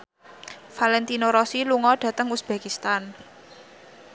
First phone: f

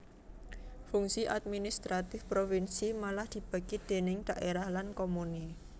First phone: f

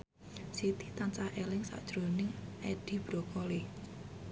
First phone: s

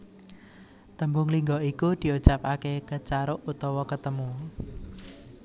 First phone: t̪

